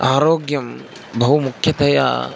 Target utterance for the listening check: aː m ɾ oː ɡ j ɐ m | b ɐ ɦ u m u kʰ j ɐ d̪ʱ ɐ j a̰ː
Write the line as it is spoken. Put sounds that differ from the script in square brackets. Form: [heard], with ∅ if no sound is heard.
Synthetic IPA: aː [∅] ɾ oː ɡ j ɐ m | b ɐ ɦ u m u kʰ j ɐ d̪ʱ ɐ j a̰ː